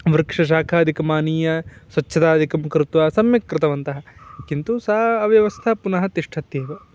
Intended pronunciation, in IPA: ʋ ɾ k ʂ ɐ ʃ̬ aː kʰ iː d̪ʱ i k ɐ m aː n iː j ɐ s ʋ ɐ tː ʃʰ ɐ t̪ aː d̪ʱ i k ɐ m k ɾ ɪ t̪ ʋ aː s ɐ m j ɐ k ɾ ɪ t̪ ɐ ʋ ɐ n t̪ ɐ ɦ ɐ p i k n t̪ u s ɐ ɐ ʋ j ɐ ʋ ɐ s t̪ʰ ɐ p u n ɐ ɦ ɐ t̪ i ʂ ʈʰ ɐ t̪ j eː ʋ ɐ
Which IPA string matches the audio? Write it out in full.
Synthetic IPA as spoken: ʋ ɾ k ʂ ɐ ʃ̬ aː kʰ aː d̪ʱ i k ɐ m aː n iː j ɐ s ʋ ɐ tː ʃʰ ɐ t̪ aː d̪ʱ i k ɐ m k ɾ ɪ t̪ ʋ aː s ɐ m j ɐ k ɾ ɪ t̪ ɐ ʋ ɐ n t̪ ɐ ɦ ɐ k i n t̪ u s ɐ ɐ ʋ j ɐ ʋ ɐ s t̪ʰ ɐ p u n ɐ ɦ ɐ t̪ i ʂ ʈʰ ɐ t̪ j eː ʋ ɐ